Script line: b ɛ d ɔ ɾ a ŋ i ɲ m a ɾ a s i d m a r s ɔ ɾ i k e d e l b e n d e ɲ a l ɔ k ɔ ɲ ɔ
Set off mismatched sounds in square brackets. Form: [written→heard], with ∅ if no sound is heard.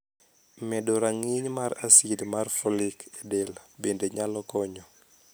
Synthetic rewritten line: [b→m] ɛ d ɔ ɾ a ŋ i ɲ m a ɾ a s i d m a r [s→f] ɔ [ɾ→l] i k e d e l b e n d e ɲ a l ɔ k ɔ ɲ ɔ